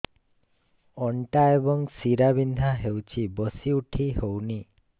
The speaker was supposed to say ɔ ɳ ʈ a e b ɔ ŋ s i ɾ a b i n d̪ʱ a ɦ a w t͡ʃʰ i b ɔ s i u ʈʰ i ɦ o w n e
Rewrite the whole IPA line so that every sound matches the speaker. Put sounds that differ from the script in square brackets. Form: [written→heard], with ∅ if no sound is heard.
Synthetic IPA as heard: ɔ ɳ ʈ a e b ɔ ŋ s i ɾ a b i n d̪ʱ a ɦ [a→e] w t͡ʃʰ i b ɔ s i u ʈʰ i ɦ o w n [e→i]